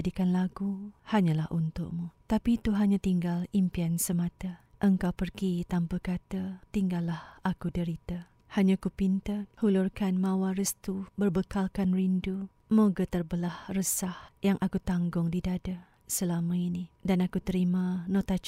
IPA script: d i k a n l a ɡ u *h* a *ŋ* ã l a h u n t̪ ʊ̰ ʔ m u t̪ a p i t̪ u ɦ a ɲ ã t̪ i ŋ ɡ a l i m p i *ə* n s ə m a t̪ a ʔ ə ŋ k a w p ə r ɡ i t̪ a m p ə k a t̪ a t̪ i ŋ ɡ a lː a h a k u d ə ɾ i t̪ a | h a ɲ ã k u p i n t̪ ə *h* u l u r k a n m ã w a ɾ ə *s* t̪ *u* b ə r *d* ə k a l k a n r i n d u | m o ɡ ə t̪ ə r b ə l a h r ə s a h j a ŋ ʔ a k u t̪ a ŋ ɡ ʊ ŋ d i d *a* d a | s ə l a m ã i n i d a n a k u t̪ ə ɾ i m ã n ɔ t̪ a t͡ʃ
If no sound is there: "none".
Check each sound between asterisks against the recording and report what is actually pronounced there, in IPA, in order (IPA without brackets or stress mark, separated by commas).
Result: h, ɲ, a, h, s, u, b, a